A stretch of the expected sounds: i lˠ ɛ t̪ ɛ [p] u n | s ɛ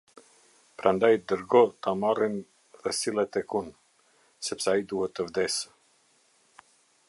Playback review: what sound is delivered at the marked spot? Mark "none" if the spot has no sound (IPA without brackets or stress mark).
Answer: k